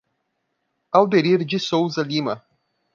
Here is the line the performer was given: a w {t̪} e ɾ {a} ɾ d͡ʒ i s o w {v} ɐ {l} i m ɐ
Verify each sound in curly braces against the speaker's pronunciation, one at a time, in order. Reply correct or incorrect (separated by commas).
incorrect, incorrect, incorrect, correct